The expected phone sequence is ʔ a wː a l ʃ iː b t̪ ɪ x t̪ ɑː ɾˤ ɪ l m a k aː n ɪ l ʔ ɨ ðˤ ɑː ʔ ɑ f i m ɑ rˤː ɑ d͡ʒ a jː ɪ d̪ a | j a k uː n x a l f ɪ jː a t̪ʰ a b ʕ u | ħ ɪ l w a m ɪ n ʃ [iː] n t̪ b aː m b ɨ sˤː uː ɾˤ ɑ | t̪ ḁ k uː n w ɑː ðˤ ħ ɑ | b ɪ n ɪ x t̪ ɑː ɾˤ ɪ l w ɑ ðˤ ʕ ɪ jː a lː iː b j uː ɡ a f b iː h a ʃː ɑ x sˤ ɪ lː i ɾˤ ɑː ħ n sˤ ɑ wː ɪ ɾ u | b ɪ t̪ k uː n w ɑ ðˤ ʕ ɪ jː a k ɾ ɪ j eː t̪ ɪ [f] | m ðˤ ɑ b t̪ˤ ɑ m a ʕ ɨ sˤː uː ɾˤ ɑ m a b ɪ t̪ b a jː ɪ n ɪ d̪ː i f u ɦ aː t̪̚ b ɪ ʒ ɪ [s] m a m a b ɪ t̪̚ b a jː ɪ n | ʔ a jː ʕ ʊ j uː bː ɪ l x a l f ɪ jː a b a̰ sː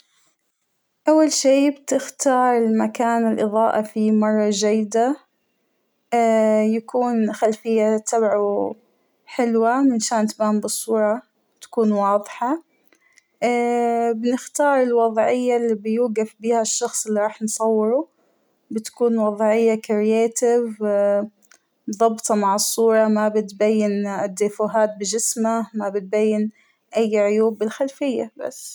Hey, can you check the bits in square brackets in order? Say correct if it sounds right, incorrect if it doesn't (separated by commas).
incorrect, incorrect, correct